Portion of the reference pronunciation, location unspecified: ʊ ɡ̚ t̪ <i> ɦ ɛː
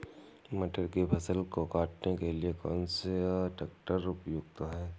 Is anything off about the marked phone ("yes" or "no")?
yes